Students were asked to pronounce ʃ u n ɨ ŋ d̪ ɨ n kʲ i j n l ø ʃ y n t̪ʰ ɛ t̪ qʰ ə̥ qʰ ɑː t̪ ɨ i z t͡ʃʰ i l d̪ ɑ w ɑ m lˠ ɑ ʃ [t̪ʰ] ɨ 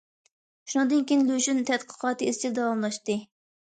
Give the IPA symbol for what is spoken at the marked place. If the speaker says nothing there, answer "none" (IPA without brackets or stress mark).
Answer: t̪